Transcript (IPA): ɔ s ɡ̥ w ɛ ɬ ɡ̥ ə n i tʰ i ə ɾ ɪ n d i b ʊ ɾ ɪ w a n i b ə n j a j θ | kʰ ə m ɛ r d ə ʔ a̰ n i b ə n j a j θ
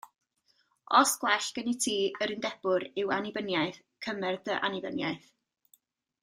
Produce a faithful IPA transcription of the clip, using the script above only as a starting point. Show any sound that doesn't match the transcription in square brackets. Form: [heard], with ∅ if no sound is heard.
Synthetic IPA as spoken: ɔ s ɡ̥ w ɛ ɬ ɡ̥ ə n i tʰ [iː] ə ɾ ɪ n d [ɛ] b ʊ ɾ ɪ w a n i b ə n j a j θ | kʰ ə m ɛ r d ə ʔ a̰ n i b ə n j a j θ